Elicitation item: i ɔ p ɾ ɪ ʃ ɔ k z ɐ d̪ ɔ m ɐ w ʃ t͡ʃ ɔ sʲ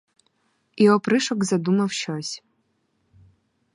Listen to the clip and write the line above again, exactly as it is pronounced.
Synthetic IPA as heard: i ɔ p ɾ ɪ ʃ ɔ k z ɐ d̪ u m ɐ w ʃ t͡ʃ ɔ sʲ